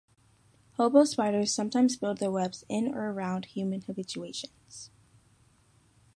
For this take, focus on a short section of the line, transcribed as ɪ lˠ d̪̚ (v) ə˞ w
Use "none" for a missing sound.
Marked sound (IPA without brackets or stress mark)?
ð